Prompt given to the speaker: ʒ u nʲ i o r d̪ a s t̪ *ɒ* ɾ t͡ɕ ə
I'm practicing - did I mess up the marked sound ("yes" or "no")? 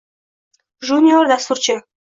yes